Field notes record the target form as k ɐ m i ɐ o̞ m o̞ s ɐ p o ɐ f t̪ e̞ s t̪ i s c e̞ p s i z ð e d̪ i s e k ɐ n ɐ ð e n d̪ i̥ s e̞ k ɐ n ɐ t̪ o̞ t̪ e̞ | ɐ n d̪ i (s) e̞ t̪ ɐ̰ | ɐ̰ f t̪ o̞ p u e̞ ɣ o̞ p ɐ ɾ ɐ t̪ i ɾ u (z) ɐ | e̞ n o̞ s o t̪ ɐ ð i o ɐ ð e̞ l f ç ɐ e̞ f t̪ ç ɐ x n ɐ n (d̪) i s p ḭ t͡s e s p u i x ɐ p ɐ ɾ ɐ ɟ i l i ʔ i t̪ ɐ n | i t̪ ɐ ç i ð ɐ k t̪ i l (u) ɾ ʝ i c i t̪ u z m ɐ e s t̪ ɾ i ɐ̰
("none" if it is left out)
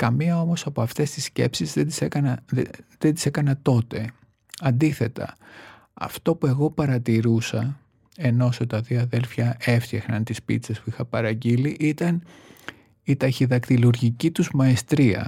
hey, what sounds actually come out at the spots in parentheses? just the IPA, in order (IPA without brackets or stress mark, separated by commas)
θ, s, t̪, u